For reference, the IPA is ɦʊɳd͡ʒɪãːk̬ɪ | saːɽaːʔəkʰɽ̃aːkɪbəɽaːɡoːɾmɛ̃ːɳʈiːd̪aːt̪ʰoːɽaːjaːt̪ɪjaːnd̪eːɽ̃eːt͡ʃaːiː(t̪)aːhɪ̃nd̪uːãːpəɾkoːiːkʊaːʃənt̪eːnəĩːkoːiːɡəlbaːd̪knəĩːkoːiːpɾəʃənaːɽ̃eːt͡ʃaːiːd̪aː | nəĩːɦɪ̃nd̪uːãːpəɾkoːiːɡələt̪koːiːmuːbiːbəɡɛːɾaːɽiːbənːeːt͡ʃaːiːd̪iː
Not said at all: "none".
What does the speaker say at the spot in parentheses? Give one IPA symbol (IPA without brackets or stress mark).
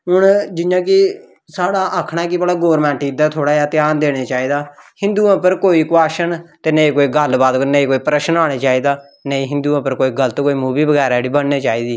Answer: d̪